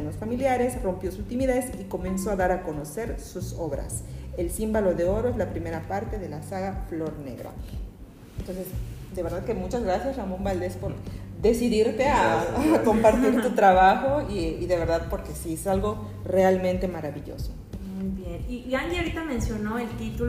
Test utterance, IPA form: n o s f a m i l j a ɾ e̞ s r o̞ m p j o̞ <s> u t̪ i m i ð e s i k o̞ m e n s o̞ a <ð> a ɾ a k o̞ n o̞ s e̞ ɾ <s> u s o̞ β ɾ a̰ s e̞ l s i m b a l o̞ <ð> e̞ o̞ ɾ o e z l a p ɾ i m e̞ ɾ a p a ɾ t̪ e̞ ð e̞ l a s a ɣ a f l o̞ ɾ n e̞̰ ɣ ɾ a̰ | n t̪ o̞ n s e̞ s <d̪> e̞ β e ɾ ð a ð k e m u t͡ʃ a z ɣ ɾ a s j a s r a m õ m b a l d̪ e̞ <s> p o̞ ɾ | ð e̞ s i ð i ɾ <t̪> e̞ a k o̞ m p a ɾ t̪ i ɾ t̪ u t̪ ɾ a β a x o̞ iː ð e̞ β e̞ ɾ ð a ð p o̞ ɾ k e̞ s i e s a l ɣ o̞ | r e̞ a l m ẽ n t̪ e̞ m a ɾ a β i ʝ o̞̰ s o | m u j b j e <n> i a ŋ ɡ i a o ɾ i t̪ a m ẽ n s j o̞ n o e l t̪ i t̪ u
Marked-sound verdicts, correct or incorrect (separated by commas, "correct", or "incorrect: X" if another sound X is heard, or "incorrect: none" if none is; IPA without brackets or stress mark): correct, correct, correct, correct, correct, correct, correct, correct